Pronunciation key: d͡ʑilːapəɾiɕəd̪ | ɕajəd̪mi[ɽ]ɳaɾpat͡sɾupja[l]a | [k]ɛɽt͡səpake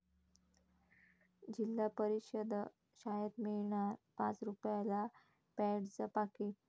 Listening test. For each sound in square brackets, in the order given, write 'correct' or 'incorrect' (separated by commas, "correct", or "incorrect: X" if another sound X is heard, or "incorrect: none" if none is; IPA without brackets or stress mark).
incorrect: ɭ, correct, incorrect: p